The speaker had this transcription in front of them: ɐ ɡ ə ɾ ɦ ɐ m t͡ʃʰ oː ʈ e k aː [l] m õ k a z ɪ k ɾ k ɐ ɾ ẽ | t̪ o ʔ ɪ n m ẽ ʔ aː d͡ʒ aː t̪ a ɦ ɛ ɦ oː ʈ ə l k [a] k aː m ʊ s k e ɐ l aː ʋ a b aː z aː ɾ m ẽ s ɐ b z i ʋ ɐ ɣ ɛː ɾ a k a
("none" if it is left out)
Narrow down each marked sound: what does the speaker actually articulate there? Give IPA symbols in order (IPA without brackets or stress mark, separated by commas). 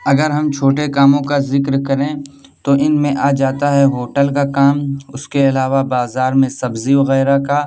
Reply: none, a